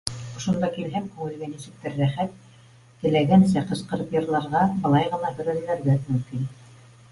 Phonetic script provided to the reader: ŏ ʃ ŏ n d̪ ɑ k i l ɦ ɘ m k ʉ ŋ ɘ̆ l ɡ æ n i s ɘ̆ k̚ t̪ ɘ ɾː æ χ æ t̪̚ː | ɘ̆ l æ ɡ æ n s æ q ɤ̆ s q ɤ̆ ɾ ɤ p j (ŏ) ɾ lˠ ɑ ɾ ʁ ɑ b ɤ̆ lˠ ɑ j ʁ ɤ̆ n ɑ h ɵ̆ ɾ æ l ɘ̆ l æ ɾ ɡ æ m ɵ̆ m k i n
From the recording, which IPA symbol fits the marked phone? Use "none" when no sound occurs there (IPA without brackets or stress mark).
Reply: ɤ̆